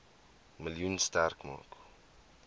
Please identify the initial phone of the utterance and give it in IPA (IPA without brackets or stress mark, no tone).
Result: m